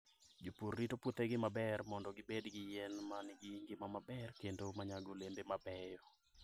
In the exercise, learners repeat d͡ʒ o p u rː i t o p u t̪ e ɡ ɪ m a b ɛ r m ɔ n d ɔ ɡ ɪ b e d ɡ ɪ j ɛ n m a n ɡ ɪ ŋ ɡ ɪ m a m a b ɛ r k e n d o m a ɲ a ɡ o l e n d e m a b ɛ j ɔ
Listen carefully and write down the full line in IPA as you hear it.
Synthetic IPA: d͡ʒ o p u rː i t o p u t̪ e ɡ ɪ m a b ɛ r m ɔ n d ɔ ɡ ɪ b e d ɡ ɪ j ɛ n m a n ɡ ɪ ŋ ɡ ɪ m a m a b ɛ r k e n d o m a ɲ a ɡ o l e n d e m a b ɛ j ɔ